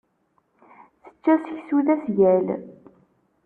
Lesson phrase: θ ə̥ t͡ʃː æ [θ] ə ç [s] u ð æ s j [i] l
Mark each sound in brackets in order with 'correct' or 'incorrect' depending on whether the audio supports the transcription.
incorrect: s, correct, incorrect: æ

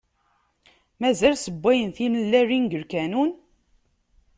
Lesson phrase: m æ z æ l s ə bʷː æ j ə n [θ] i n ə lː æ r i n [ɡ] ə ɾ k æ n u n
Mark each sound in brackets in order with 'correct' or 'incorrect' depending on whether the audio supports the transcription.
correct, correct

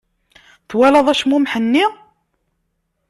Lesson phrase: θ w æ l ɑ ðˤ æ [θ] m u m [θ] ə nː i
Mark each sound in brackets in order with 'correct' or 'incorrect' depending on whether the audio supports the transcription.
incorrect: ʃ, incorrect: ħ

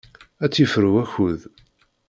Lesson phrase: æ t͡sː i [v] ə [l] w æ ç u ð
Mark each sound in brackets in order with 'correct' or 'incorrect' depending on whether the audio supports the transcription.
incorrect: f, incorrect: ɾ

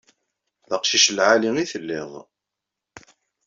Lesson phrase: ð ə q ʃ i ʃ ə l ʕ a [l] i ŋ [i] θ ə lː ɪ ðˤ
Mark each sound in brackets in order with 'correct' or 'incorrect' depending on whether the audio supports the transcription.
correct, correct

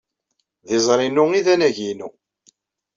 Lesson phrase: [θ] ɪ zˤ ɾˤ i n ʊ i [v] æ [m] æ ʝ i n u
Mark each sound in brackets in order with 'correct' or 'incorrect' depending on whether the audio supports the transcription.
incorrect: ð, incorrect: ð, incorrect: n

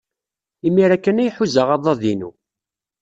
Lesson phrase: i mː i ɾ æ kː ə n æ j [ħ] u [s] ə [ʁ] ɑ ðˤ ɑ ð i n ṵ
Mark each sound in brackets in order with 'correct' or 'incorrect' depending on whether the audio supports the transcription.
correct, incorrect: z, correct

